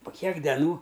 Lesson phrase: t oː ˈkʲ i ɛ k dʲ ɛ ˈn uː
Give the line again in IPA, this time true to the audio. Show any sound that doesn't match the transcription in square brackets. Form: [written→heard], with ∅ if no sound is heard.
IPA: [t→p] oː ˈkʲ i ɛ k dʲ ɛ ˈn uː